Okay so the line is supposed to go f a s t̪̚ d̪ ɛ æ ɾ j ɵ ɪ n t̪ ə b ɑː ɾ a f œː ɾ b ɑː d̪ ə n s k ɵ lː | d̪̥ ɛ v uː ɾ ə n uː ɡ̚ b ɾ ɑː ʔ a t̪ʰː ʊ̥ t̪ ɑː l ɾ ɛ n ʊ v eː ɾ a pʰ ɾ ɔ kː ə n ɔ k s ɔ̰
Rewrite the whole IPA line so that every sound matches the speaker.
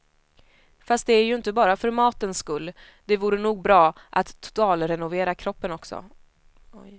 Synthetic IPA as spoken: f a s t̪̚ d̪ ɛ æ ɾ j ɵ ɪ n t̪ ə b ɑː ɾ a f œ ɾ m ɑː t̪ ə n s k ɵ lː | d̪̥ ɛ v uː ɾ ə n uː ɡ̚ b ɾ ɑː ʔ a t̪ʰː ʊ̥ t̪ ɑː l ɾ ɛ n ʊ v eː ɾ a kʰ ɾ ɔ pː ə n ɔ k s ɔ̰